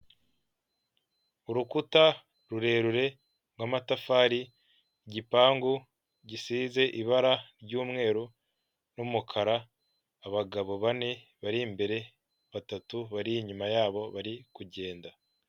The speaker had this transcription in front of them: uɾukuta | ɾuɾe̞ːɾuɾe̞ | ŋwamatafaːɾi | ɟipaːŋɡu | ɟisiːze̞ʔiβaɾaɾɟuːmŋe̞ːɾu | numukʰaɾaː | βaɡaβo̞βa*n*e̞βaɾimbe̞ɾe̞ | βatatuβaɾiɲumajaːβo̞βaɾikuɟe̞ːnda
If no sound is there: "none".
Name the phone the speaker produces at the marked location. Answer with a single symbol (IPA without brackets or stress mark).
n